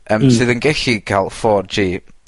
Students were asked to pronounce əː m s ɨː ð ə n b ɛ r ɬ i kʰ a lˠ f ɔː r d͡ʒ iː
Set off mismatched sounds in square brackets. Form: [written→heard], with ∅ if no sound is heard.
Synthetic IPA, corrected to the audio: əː m s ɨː ð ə n [b→ɡ] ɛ [r→∅] ɬ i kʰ a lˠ f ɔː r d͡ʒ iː